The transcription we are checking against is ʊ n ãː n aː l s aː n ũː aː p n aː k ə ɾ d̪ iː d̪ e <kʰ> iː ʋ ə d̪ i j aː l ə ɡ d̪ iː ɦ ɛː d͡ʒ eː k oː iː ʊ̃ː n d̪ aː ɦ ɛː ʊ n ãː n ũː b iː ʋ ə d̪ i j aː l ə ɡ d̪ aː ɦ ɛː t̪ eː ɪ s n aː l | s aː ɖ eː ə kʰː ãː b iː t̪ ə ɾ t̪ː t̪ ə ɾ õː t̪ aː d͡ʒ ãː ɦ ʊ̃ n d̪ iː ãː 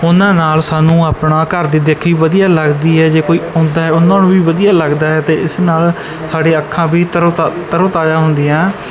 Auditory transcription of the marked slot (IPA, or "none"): kʰ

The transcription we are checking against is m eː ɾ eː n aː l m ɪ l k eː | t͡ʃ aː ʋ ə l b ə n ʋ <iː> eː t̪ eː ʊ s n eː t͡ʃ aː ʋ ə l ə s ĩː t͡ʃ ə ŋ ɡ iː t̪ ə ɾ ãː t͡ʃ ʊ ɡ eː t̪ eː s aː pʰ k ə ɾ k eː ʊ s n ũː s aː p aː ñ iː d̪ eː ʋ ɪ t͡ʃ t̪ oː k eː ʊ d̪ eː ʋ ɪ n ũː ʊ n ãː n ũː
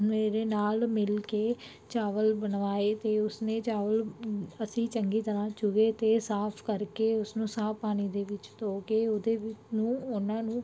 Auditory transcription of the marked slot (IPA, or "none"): aː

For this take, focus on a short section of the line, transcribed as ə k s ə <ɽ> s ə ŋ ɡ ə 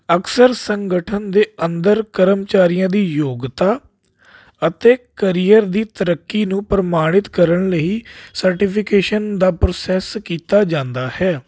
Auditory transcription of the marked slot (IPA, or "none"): ɾ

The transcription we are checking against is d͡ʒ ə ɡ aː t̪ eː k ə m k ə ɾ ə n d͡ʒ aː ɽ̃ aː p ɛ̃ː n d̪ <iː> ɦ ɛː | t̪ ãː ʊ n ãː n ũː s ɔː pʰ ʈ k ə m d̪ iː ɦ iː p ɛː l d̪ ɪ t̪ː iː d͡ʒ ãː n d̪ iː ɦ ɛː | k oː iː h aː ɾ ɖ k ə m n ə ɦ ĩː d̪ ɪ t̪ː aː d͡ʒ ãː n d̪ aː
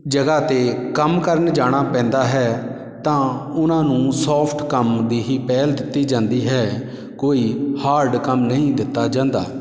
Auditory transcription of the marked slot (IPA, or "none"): aː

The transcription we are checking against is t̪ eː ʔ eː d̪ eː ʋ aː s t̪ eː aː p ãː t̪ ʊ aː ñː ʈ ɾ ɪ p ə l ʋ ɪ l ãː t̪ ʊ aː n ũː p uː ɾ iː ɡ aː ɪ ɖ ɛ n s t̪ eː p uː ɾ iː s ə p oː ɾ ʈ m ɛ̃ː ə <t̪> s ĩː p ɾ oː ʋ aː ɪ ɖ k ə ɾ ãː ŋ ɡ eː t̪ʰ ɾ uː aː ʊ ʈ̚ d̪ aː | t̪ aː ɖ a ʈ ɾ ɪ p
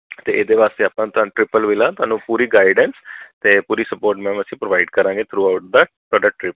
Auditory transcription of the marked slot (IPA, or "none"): none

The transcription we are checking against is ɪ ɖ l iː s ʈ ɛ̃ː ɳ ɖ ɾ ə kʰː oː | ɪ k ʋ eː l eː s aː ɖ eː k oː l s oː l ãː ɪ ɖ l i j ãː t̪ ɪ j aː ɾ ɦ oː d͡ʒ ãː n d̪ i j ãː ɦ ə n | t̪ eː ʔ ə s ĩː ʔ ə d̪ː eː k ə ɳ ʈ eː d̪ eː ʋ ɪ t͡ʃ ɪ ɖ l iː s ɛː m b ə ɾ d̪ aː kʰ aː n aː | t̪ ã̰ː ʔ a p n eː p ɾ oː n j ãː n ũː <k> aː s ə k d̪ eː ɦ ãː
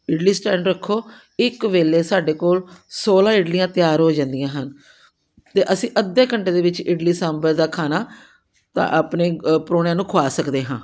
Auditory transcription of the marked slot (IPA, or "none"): kʰ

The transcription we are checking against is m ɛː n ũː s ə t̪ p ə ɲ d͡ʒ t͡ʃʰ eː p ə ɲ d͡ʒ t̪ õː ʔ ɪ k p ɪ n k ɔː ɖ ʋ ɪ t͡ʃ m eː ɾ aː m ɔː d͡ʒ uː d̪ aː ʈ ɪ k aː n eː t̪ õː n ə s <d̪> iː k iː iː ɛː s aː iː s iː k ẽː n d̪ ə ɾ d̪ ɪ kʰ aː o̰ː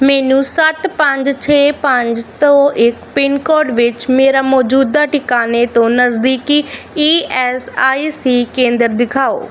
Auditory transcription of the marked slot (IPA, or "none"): d̪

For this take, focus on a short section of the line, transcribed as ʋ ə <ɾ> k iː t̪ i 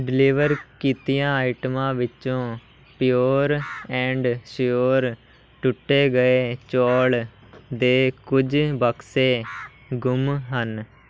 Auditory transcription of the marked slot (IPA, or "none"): ɾ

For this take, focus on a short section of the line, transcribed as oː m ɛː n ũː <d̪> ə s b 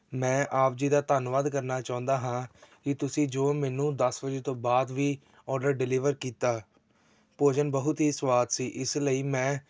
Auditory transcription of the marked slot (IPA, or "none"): d̪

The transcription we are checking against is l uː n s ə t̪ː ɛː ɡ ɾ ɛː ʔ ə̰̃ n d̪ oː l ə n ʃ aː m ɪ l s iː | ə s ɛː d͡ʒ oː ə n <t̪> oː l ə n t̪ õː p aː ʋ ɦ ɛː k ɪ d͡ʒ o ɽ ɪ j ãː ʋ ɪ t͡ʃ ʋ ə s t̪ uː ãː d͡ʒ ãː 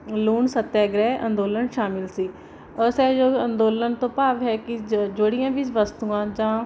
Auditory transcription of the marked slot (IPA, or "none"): d̪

